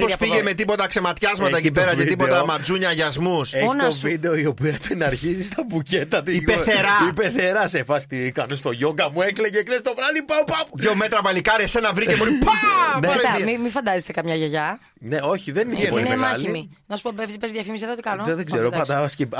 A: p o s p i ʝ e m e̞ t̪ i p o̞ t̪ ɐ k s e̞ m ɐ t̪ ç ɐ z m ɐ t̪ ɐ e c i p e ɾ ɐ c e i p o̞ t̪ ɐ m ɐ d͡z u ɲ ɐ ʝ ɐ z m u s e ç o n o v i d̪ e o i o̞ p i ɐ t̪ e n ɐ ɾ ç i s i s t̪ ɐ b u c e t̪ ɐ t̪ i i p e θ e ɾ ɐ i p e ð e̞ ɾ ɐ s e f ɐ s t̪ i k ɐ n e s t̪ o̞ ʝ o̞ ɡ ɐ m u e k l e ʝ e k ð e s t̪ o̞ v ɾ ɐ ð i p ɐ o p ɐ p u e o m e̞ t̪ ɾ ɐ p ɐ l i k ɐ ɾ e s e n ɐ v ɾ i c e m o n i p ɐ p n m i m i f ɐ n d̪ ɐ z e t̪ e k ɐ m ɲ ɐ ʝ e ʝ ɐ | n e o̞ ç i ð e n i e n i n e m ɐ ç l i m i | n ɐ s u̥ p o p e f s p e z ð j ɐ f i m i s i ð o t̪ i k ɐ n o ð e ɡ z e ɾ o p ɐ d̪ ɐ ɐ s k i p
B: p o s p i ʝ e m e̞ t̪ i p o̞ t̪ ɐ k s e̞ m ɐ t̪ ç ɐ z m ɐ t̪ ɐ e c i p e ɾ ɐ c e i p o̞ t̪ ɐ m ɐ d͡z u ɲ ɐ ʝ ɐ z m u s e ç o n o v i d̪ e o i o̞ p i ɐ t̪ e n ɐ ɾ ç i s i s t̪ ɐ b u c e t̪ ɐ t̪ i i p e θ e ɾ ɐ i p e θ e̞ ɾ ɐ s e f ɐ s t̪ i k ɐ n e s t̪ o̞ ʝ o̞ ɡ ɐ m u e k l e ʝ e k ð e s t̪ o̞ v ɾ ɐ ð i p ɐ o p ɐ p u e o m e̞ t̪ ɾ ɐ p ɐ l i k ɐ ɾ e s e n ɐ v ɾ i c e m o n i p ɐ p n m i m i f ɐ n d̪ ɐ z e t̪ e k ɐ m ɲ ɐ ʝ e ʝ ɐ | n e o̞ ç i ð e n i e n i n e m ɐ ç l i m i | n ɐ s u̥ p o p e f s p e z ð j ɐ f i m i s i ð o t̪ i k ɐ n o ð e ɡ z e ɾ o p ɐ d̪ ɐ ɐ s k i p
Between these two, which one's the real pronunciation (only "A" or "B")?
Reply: B